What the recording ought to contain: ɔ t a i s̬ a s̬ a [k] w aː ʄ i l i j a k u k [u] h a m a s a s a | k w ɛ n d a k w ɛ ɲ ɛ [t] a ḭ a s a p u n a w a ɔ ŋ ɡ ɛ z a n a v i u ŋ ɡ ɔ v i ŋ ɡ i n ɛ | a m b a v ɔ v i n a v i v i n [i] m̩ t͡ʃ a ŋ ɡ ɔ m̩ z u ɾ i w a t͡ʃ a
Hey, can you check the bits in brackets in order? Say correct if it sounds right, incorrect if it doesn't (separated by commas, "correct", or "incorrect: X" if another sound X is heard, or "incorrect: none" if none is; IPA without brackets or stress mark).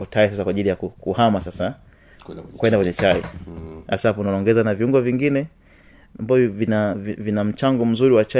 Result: correct, correct, incorrect: t͡ʃ, incorrect: a